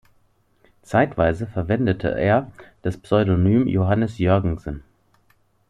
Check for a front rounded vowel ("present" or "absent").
present